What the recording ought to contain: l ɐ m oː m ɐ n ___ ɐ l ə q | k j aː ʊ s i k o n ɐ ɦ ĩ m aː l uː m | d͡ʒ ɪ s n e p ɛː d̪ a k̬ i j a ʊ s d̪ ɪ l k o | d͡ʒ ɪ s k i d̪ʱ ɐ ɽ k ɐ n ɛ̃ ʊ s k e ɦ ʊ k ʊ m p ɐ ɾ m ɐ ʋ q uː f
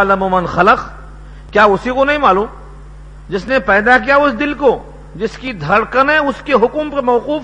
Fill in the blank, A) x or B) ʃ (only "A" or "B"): A